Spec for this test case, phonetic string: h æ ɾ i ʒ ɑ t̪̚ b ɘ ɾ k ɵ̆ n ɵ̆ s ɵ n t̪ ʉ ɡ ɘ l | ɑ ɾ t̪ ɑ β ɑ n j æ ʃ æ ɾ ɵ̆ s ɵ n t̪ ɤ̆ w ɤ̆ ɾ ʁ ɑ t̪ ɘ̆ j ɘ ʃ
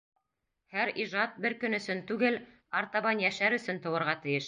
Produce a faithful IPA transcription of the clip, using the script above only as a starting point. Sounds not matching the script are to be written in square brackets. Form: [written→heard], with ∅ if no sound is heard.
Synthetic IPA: h æ ɾ i ʒ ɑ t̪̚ b ɘ ɾ k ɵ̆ n ɵ̆ s ɵ n t̪ ʉ ɡ ɘ l | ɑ ɾ t̪ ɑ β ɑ n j æ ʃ æ ɾ ɵ̆ s ɵ n t̪ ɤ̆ w ɤ̆ ɾ ʁ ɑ t̪ ɘ̆ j ɘ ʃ

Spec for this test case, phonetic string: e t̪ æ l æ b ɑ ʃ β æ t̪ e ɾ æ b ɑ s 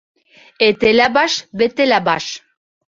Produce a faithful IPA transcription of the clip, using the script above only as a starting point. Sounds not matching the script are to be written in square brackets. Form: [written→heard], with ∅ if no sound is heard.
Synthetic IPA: e t̪ [æ→e] l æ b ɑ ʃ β [æ→e] t̪ e [ɾ→l] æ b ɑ [s→ʃ]

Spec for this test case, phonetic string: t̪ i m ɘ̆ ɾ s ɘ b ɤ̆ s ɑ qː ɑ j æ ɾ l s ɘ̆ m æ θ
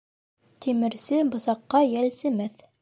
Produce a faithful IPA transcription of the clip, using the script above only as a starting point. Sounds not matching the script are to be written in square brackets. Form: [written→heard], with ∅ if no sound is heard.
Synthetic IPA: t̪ i m ɘ̆ ɾ s ɘ b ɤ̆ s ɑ qː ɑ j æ [ɾ→∅] l s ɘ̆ m æ θ

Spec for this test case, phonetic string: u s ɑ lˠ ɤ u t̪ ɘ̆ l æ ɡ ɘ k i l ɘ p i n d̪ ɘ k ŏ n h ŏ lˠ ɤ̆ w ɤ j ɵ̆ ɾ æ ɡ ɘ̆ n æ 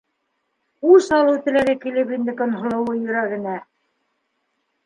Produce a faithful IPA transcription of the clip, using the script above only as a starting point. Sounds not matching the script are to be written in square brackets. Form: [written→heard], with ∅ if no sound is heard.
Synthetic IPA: u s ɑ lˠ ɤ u t̪ ɘ̆ l æ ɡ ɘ k i l ɘ p i n d̪ ɘ k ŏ n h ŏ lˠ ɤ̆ w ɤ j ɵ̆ ɾ æ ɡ ɘ̆ n æ

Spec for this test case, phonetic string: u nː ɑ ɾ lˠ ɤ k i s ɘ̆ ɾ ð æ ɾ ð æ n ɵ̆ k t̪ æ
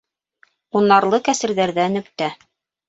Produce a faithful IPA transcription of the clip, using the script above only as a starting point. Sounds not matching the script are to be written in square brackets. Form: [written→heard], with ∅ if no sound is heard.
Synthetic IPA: u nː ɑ ɾ lˠ ɤ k [i→æ] s ɘ̆ ɾ ð æ ɾ ð æ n ɵ̆ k t̪ æ

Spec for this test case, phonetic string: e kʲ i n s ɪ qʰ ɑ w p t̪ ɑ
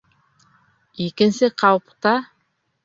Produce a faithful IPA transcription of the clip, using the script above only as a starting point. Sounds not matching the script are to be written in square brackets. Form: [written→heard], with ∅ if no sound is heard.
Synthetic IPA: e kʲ [i→ɪ] n s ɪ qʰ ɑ w p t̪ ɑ

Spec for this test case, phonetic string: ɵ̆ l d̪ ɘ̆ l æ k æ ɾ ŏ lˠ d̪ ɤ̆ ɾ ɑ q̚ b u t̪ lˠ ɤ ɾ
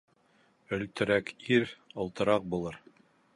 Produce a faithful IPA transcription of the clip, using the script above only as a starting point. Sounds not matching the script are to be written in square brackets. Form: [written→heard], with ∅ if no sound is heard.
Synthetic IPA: ɵ̆ l [d̪→t̪] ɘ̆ [l→ɾ] æ k [æ→i] ɾ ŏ lˠ [d̪→t̪] ɤ̆ ɾ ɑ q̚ b u [t̪→∅] lˠ ɤ ɾ

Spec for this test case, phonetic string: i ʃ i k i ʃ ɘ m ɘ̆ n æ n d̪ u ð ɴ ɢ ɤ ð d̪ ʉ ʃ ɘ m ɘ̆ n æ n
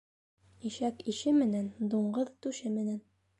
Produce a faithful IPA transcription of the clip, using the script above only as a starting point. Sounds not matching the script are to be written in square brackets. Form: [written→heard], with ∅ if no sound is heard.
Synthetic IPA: i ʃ [i→æ] k i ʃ ɘ m ɘ̆ n æ n d̪ u [ð→∅] ɴ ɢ ɤ ð [d̪→t̪] ʉ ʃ ɘ m ɘ̆ n æ n

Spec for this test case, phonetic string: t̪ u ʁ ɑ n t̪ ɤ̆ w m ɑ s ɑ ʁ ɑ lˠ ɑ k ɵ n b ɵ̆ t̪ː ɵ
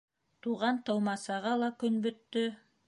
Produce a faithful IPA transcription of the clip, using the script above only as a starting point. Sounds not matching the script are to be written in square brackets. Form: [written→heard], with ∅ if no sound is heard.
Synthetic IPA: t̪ u ʁ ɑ n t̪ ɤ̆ w m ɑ s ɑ ʁ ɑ lˠ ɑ k ɵ n b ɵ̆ t̪ː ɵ

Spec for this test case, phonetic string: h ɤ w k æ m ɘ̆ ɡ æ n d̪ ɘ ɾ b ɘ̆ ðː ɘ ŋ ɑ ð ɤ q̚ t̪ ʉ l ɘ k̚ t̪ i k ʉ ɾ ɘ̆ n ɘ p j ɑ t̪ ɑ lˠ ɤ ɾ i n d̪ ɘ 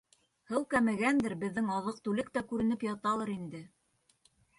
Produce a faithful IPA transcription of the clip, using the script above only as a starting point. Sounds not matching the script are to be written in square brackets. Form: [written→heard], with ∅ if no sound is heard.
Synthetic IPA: h ɤ w k æ m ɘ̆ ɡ æ n d̪ ɘ ɾ b ɘ̆ ðː ɘ ŋ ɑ ð ɤ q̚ t̪ ʉ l ɘ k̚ t̪ [i→æ] k ʉ ɾ ɘ̆ n ɘ p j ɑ t̪ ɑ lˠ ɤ ɾ i n d̪ ɘ

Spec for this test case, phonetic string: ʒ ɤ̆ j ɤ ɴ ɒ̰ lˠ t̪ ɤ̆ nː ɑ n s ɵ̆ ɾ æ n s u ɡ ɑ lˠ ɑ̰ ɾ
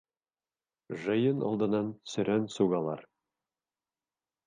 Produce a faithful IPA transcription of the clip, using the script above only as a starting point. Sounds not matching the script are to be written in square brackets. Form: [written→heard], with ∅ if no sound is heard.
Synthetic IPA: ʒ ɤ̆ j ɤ [ɴ→n] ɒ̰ lˠ [t̪→d̪] ɤ̆ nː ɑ n s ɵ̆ ɾ æ n s u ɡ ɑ lˠ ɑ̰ ɾ

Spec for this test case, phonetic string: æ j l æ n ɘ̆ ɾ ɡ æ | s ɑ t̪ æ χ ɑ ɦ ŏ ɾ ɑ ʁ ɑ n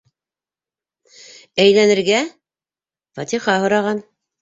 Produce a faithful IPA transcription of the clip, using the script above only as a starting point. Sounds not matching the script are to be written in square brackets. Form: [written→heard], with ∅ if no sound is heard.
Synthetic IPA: æ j l æ n ɘ̆ ɾ ɡ æ | [s→f] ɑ t̪ [æ→i] χ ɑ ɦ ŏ ɾ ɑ ʁ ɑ n

